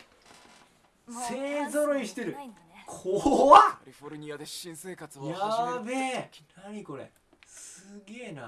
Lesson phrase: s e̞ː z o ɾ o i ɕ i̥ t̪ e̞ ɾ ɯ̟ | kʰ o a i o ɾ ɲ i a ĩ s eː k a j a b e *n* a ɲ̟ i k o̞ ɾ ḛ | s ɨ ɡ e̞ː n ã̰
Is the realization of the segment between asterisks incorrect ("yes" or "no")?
no